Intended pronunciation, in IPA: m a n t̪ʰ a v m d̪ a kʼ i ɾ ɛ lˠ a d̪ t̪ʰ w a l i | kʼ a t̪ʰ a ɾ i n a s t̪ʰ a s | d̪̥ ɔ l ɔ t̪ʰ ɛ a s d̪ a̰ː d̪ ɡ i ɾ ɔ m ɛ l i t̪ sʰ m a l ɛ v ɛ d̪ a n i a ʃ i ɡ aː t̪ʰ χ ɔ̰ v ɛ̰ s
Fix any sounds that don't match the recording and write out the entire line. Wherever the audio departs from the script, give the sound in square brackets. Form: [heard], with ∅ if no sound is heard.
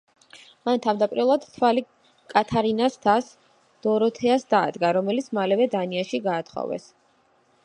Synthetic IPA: m a n t̪ʰ a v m d̪ a [pʼ] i ɾ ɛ lˠ a d̪ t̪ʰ w a l i | kʼ a t̪ʰ a ɾ i n a s t̪ʰ a s | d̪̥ ɔ [ɾ] ɔ t̪ʰ ɛ a s d̪ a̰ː d̪ ɡ [a] ɾ ɔ m ɛ l i t̪ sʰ m a l ɛ v ɛ d̪ a n i a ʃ i ɡ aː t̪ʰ χ ɔ̰ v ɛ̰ s